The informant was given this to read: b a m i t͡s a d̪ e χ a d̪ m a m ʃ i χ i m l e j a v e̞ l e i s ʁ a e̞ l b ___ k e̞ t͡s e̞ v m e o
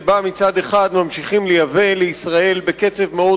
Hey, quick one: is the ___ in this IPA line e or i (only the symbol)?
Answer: e